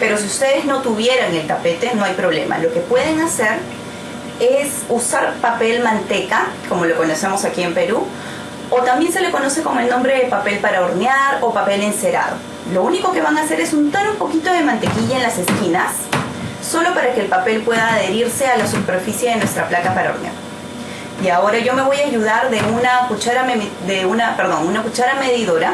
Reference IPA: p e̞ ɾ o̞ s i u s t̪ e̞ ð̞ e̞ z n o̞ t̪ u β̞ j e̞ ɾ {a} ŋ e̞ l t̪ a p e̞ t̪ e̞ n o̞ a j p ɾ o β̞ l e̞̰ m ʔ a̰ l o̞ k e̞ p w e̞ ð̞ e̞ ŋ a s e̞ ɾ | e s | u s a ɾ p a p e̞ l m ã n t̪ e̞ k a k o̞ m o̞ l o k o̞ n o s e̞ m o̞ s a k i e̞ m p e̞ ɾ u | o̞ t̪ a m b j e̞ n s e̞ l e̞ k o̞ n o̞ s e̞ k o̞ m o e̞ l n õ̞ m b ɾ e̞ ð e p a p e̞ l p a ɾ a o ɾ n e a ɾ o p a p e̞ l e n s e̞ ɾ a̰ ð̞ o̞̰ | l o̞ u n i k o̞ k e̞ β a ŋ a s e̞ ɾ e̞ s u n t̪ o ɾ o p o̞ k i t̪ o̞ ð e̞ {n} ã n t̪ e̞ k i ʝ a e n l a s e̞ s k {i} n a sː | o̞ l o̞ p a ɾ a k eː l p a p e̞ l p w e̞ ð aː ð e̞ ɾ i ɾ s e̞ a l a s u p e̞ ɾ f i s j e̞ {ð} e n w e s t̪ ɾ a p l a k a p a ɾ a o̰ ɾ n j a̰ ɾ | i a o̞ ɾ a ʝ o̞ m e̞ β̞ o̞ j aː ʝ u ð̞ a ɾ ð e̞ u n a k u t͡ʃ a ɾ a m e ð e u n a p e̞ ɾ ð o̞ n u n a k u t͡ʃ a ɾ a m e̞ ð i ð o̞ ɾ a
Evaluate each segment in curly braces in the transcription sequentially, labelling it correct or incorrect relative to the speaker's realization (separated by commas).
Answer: correct, incorrect, correct, correct